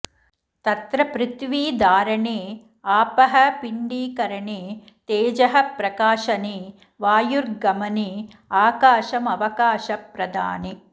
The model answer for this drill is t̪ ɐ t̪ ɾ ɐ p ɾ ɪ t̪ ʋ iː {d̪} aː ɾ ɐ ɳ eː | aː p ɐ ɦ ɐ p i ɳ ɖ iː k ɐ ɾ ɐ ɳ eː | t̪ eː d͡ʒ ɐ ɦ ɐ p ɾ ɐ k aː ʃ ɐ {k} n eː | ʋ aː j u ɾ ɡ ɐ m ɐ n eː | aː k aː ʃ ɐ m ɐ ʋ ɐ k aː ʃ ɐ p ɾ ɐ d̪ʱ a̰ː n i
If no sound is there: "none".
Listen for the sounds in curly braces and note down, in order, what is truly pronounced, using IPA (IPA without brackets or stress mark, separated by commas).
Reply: d̪, none